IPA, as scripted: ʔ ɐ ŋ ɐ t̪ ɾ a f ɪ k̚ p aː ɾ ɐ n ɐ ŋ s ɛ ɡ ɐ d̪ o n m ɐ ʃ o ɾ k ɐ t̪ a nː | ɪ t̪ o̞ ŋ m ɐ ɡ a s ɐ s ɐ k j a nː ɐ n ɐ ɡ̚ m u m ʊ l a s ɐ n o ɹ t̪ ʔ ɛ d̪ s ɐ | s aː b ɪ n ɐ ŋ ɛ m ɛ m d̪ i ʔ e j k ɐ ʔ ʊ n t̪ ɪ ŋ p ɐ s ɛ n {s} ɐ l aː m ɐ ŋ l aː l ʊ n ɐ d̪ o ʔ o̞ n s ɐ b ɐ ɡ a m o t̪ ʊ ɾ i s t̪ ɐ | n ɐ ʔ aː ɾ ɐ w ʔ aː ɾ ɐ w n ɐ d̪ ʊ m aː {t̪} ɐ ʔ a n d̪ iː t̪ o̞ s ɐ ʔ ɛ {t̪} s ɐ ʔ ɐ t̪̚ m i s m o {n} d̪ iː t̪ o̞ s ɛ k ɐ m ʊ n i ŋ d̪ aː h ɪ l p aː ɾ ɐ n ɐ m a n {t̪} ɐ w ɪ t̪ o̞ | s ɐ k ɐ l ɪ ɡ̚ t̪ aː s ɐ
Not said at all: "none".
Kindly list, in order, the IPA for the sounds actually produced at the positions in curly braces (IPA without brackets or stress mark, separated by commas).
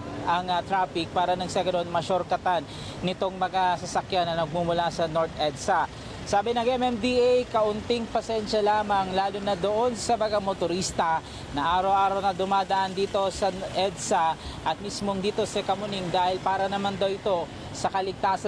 ʃ, d̪, d̪, ŋ, d̪